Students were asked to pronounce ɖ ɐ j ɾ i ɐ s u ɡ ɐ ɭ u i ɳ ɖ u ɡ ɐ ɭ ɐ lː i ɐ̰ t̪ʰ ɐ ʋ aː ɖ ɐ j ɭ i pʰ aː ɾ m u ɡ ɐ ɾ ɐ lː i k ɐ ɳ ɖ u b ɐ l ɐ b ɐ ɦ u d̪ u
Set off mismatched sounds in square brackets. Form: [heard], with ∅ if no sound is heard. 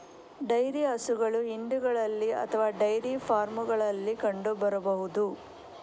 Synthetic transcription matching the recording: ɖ ɐ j ɾ i ɐ s u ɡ ɐ ɭ u i ɳ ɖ u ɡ ɐ ɭ ɐ lː i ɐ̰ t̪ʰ ɐ ʋ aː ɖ ɐ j [ɾ] i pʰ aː ɾ m u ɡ ɐ [ɭ] ɐ lː i k ɐ ɳ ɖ u b ɐ [ɾ] ɐ b ɐ ɦ u d̪ u